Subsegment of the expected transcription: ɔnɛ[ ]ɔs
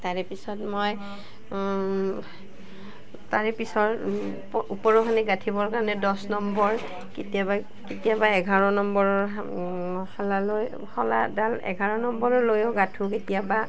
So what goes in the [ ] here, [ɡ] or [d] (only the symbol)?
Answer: d